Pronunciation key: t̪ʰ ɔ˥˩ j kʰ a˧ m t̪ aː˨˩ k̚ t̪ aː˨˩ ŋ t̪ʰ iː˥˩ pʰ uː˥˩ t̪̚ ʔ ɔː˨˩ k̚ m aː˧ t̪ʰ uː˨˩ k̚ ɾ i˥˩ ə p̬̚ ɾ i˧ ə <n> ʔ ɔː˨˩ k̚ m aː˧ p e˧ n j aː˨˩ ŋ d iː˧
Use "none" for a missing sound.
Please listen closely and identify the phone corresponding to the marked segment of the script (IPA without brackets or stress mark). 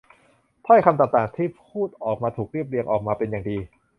ŋ